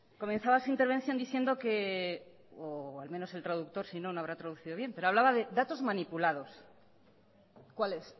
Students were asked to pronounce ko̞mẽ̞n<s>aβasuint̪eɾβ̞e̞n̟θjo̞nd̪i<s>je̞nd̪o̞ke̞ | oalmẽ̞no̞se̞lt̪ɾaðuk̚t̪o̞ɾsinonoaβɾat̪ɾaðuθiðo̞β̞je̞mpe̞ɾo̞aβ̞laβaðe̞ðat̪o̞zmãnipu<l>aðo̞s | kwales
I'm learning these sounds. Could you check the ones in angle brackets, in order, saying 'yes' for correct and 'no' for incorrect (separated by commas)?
no, no, yes